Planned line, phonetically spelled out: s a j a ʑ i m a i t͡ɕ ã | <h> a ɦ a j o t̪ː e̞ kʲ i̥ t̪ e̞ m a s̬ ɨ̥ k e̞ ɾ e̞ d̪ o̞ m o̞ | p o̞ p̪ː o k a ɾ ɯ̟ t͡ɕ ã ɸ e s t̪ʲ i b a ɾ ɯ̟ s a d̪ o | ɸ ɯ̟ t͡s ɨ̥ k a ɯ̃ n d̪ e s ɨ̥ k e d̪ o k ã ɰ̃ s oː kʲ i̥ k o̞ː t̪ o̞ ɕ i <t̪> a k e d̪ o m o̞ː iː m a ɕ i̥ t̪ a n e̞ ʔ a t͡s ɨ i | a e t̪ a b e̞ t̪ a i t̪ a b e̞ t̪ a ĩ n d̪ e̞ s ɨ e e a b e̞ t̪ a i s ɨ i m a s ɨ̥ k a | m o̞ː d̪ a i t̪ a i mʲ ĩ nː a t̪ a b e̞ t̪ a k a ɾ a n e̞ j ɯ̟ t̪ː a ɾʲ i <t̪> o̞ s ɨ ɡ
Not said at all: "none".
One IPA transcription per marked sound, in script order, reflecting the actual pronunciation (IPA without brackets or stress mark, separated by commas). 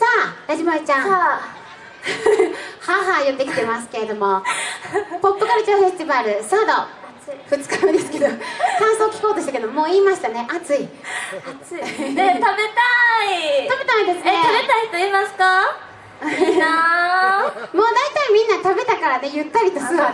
h, t̪, t̪